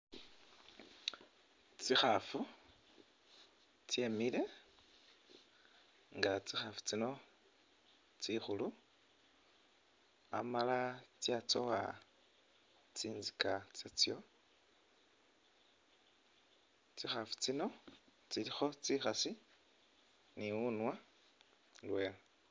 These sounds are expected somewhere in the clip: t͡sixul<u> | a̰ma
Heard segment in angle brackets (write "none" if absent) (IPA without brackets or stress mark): u